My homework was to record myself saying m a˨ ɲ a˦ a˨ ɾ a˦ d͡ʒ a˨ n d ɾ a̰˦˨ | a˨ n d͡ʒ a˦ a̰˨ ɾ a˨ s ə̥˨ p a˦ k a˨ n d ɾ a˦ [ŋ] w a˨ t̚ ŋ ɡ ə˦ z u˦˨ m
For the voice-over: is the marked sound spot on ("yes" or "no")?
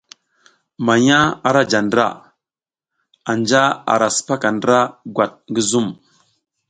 no